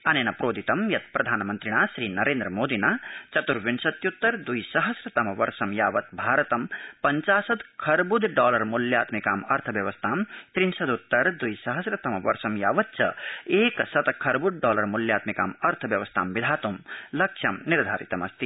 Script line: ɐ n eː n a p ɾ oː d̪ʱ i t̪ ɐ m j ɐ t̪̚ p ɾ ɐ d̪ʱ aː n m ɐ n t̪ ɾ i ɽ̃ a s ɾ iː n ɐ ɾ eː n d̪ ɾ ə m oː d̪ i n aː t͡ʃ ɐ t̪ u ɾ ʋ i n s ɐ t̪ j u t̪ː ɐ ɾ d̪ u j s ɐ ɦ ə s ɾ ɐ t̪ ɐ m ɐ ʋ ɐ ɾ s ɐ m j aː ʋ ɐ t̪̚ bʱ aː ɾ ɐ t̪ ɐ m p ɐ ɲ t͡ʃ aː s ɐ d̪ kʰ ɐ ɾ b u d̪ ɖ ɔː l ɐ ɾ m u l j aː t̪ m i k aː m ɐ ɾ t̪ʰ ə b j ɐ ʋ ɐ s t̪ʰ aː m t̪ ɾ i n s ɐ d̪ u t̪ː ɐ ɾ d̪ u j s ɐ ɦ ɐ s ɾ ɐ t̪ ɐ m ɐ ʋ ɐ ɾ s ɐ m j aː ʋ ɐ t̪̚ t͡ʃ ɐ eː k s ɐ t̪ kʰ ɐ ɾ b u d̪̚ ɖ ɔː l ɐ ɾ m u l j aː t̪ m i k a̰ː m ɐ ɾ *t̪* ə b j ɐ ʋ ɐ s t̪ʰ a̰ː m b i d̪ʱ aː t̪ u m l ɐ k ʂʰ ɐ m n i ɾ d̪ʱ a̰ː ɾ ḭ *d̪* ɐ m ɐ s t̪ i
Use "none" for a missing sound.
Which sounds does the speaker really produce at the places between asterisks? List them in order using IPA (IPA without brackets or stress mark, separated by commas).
t̪ʰ, t̪